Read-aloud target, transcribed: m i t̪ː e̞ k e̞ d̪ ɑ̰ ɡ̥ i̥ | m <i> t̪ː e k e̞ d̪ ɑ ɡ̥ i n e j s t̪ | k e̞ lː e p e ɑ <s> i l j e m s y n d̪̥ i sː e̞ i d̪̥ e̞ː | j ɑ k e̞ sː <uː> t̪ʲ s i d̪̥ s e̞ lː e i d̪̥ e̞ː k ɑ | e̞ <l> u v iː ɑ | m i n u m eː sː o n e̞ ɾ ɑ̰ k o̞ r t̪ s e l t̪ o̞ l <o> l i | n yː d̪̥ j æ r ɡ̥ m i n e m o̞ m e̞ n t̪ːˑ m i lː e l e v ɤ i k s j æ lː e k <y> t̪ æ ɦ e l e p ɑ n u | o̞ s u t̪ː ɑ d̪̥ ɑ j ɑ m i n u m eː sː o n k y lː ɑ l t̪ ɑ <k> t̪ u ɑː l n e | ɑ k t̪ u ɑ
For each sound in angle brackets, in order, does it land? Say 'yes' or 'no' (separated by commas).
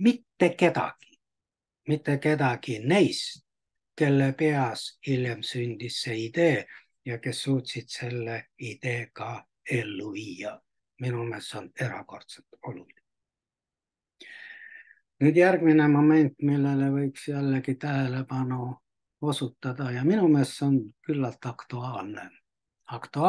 yes, yes, yes, no, no, no, yes